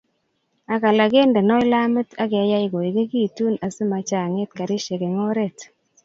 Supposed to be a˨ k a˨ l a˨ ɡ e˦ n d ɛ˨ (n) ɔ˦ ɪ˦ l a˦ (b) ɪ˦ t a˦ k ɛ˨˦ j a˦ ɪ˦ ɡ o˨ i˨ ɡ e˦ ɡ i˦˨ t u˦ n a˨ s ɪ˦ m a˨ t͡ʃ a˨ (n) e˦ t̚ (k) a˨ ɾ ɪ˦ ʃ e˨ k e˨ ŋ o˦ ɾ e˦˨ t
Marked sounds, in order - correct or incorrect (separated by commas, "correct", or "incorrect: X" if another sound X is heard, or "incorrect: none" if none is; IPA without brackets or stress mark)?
correct, incorrect: m, incorrect: ŋ, correct